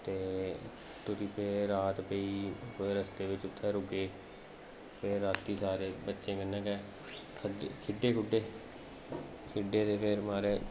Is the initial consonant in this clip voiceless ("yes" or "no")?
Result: yes